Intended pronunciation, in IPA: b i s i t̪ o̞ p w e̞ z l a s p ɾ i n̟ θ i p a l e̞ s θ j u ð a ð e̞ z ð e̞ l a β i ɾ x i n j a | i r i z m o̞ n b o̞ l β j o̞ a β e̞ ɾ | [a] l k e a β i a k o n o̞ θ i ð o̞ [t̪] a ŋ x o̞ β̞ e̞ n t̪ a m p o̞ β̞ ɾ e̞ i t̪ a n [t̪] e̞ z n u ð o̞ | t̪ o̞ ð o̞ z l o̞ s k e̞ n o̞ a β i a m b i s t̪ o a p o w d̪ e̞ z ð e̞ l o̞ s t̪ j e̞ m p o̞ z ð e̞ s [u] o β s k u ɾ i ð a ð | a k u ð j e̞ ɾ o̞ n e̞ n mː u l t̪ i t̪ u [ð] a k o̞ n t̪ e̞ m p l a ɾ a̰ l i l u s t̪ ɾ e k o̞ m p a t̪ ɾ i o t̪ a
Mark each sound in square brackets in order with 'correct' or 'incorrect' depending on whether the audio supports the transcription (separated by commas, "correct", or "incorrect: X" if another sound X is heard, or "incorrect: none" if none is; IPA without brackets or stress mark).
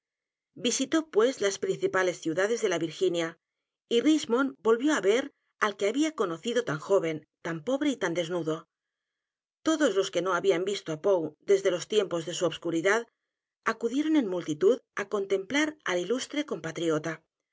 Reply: correct, correct, incorrect: d̪, correct, correct